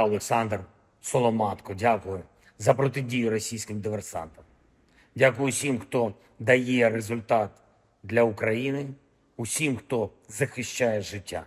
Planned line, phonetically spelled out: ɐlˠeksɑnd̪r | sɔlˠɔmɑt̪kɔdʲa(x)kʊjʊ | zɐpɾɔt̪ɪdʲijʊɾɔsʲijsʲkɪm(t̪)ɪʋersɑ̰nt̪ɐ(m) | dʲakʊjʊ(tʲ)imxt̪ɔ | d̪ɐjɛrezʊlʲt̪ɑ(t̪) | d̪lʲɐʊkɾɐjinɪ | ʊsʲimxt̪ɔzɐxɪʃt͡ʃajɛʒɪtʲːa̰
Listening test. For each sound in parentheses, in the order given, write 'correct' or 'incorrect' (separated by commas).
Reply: incorrect, incorrect, correct, incorrect, correct